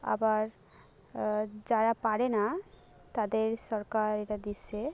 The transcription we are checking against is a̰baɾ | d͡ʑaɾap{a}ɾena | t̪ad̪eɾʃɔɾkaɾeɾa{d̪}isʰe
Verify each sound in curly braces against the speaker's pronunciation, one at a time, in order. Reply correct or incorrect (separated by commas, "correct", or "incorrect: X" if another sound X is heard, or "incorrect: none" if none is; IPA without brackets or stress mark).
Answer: correct, correct